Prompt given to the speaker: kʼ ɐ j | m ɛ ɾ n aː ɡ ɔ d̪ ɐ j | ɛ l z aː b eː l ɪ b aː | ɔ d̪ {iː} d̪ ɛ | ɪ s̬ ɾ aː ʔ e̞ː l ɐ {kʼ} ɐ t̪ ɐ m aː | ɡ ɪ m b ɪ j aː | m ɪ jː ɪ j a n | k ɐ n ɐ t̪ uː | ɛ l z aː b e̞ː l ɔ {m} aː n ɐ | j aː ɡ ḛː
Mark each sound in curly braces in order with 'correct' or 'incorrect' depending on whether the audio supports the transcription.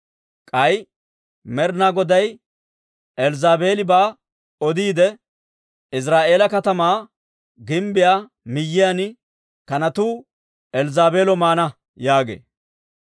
correct, incorrect: k, correct

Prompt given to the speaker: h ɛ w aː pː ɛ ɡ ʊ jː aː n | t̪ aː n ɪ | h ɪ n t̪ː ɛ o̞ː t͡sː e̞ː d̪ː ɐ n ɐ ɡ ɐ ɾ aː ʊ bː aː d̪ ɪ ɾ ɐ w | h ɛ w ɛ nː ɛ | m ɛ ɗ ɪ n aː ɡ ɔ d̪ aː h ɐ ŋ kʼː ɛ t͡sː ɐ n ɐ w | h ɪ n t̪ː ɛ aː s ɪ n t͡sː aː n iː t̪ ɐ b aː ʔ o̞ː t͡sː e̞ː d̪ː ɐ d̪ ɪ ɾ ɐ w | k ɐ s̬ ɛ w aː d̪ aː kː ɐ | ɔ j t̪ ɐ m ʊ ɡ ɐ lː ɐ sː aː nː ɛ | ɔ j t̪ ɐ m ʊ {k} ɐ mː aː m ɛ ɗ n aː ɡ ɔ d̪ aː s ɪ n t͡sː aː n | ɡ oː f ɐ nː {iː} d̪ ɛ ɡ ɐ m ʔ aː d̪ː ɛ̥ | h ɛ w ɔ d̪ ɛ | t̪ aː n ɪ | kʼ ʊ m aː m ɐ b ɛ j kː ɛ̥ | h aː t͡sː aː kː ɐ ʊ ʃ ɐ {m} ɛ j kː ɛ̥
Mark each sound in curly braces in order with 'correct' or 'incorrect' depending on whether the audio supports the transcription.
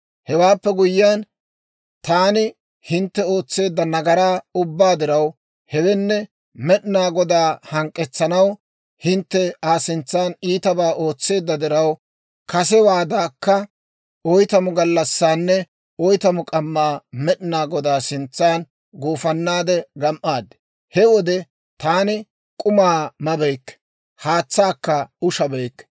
incorrect: kʼ, incorrect: aː, incorrect: b

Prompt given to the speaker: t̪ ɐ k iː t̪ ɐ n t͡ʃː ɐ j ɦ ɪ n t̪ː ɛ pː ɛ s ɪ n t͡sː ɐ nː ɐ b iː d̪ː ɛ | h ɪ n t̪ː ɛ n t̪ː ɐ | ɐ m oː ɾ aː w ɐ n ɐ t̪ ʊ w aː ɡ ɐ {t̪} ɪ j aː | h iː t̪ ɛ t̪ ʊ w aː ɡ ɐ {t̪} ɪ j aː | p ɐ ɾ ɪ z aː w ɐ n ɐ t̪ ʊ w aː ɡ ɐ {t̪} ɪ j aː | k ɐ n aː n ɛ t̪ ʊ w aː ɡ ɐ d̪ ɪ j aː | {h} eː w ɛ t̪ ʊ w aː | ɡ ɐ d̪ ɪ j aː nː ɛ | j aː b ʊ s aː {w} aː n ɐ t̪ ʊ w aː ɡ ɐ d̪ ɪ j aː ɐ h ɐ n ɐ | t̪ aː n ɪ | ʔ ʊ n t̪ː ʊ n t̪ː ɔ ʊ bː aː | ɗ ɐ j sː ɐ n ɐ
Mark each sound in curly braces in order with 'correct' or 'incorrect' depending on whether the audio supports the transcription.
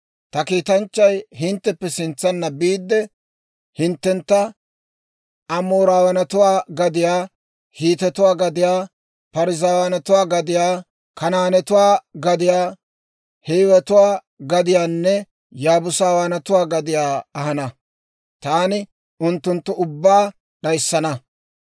incorrect: d̪, incorrect: d̪, incorrect: d̪, correct, correct

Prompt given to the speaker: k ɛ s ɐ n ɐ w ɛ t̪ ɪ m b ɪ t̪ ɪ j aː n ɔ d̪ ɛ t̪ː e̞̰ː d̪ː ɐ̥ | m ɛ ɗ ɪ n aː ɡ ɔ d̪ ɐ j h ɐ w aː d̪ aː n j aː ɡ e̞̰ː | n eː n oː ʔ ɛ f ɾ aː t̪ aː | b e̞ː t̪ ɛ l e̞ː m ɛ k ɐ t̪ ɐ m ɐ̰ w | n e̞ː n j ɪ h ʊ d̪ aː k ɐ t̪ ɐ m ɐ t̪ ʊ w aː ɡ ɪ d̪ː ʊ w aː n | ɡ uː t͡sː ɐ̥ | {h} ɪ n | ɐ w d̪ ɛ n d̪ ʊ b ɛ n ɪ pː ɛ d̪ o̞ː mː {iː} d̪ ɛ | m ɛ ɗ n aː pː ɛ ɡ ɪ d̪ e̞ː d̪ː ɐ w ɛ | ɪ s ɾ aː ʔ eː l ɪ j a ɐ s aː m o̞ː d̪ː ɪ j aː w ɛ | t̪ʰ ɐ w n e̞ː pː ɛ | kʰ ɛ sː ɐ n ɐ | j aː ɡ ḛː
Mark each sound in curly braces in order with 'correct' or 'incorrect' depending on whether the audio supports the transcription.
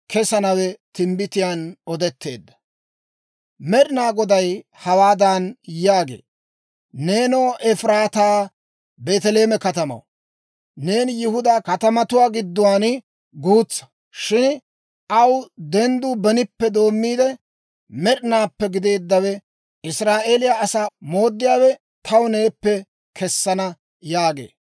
incorrect: ʃ, correct

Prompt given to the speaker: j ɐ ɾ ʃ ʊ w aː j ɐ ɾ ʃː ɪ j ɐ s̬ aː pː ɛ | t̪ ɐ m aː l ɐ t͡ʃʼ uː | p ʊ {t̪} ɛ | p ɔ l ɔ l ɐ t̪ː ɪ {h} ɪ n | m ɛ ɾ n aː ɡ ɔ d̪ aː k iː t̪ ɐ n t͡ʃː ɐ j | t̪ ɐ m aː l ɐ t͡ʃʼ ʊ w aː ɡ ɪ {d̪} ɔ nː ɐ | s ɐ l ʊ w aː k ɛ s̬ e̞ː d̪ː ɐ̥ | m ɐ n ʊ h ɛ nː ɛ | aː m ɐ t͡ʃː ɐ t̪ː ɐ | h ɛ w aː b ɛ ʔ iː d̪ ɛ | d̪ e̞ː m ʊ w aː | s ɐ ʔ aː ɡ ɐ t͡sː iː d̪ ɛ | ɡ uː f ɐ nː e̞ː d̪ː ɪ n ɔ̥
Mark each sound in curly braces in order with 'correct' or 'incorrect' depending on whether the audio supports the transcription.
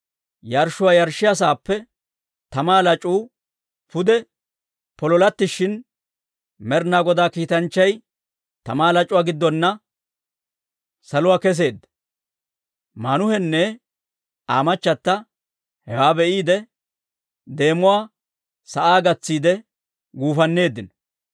incorrect: d̪, incorrect: ʃ, incorrect: d̪ː

